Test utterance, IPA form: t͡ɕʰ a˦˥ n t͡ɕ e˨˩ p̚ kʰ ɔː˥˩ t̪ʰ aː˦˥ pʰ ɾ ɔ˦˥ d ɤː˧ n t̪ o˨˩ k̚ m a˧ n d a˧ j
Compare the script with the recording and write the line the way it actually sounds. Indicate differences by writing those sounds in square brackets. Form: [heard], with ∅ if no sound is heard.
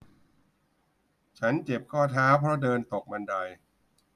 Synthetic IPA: t͡ɕʰ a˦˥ n t͡ɕ e˨˩ p̚ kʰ ɔː˥˩ t̪ʰ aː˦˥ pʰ ɾ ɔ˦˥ d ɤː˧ n t̪ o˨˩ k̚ m a˧ n d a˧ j